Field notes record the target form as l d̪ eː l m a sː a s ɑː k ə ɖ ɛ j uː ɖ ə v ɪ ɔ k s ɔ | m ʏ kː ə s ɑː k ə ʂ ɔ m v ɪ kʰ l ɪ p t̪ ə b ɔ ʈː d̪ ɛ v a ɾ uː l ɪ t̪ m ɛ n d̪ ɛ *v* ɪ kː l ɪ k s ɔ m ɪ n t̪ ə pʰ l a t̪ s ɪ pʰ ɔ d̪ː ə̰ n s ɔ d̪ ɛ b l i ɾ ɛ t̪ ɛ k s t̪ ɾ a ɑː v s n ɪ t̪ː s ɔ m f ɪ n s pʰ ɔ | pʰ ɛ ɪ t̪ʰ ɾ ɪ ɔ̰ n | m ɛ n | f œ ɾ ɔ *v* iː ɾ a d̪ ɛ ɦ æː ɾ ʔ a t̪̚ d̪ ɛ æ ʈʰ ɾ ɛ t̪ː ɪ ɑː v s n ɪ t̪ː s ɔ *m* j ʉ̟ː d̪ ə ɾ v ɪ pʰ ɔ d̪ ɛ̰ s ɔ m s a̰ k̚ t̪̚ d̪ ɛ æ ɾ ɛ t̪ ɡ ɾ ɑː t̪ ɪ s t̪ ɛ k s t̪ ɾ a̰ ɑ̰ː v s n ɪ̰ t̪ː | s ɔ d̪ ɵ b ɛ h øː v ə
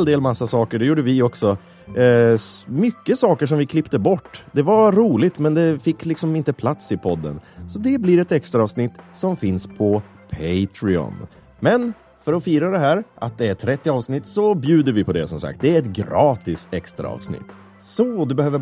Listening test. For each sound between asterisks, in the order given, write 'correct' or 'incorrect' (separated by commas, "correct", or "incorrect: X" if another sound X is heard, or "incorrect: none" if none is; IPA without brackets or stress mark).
incorrect: f, incorrect: f, incorrect: b